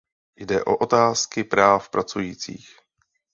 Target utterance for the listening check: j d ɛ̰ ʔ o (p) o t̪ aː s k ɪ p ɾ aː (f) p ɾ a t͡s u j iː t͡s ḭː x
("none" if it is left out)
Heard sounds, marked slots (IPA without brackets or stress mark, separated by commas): ʔ, f